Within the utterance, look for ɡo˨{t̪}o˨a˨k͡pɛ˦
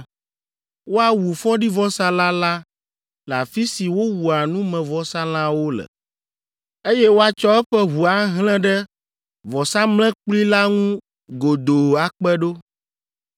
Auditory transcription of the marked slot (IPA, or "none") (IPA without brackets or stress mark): d̪